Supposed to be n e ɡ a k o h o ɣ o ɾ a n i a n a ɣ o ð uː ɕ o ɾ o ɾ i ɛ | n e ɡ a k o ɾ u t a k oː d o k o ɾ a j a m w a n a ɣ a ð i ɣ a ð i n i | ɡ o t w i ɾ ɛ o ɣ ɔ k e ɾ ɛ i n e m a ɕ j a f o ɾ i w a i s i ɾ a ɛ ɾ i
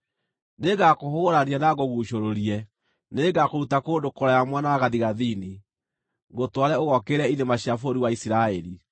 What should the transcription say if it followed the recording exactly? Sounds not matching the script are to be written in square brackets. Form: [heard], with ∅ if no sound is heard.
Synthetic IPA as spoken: n e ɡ a k o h o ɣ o ɾ a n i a n a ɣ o [ɣ] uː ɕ o ɾ o ɾ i ɛ | n e ɡ a k o ɾ u t a k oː d o k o ɾ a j a m w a n a ɣ a ð i ɣ a ð i n i | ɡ o t w [a] ɾ ɛ o ɣ ɔ k e ɾ ɛ i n e m a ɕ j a f o ɾ i w a i s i ɾ a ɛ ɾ i